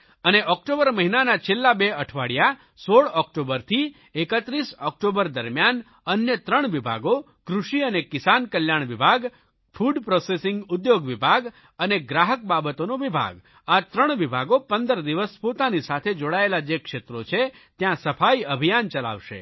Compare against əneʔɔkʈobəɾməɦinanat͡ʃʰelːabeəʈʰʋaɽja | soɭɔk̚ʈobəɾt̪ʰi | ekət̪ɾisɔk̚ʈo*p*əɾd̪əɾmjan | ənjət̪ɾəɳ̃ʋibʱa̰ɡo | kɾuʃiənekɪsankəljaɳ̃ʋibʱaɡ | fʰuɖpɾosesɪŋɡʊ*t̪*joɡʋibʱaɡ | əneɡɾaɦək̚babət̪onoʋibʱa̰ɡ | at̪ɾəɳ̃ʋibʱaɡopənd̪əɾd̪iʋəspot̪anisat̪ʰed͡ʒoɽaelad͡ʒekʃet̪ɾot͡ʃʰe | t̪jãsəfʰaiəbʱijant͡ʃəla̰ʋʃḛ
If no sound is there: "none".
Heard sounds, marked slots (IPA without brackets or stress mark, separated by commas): b, d̪